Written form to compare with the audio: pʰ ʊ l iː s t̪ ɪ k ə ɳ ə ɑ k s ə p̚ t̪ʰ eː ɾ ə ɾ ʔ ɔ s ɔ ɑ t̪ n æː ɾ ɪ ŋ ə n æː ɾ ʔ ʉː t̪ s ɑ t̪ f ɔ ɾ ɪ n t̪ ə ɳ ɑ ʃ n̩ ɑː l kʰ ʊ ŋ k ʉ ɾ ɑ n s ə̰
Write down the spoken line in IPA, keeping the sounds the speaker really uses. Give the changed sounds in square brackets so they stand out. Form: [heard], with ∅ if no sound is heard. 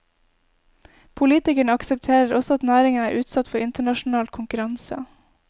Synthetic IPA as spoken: pʰ ʊ l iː [∅] t̪ ɪ k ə ɳ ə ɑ k s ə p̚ t̪ʰ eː ɾ ə ɾ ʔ ɔ s ɔ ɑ t̪ n æː ɾ ɪ ŋ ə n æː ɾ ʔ ʉː t̪ s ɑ t̪ f ɔ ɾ ɪ n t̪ ə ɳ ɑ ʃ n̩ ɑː l kʰ ʊ ŋ k ʉ ɾ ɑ n s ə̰